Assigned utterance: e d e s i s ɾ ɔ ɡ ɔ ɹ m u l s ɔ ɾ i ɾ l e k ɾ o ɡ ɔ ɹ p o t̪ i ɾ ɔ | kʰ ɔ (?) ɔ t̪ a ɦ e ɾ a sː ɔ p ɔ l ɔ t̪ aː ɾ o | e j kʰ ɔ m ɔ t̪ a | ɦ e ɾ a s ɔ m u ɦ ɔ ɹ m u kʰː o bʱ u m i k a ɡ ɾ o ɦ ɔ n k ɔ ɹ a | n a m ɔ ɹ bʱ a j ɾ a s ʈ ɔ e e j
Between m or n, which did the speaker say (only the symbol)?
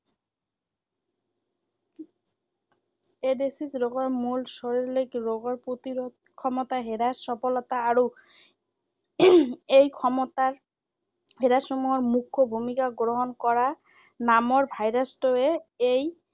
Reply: m